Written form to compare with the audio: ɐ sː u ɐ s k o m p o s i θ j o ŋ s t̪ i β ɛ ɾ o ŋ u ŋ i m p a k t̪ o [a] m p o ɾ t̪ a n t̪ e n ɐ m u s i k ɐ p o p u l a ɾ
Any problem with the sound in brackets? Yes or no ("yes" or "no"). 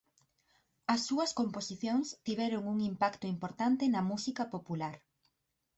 yes